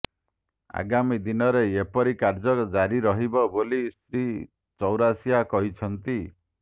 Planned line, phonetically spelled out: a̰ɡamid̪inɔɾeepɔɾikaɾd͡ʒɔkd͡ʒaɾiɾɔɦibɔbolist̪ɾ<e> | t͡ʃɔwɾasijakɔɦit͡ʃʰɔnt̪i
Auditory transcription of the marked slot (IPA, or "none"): i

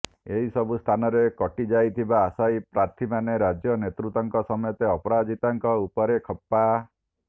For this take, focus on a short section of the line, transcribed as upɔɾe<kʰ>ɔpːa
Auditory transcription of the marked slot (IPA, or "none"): kʰ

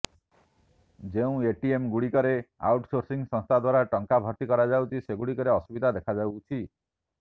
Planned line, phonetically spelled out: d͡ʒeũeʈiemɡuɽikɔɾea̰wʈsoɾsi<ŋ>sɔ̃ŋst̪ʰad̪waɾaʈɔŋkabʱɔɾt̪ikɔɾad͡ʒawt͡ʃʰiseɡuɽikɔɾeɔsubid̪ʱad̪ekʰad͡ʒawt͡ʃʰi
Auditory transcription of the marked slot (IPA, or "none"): ŋ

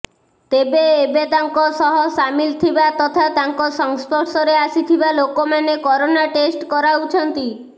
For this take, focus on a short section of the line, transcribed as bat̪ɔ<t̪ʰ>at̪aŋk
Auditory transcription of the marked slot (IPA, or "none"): t̪ʰ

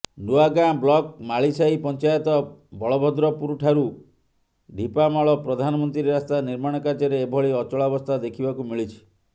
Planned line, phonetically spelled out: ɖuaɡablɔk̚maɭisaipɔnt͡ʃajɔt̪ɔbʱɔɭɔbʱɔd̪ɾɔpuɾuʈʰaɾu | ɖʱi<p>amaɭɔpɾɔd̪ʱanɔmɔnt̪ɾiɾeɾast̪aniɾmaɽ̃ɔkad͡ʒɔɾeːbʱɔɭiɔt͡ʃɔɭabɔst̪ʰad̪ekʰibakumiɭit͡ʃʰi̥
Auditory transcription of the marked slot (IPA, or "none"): p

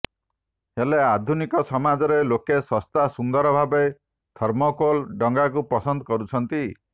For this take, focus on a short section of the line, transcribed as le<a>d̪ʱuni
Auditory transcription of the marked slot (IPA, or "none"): a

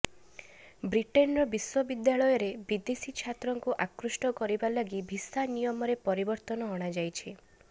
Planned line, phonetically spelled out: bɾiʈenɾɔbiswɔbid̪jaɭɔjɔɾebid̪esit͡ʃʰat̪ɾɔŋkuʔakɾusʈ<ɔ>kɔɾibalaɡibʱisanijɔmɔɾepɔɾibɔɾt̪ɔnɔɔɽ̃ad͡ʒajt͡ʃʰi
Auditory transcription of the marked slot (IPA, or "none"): ɔ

